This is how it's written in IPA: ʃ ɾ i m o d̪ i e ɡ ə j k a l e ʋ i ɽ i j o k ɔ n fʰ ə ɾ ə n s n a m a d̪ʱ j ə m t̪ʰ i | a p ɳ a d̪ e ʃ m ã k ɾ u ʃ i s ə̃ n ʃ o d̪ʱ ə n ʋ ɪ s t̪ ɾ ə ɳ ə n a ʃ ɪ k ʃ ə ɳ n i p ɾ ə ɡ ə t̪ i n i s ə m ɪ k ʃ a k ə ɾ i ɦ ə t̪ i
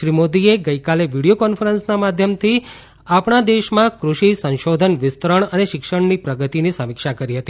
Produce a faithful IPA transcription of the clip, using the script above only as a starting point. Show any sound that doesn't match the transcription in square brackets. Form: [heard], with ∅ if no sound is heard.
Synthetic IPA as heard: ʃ ɾ i m o d̪ i e ɡ ə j k a l e ʋ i ɽ i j o k ɔ n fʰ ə ɾ ə n s n a m a d̪ʱ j ə m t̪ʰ i | a p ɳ a d̪ e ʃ m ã k ɾ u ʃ i s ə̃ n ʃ o d̪ʱ ə n ʋ ɪ s t̪ ɾ ə ɳ ə n [e] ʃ ɪ k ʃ ə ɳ n i p ɾ ə ɡ ə t̪ i n i s ə m ɪ k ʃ a k ə ɾ i ɦ ə t̪ i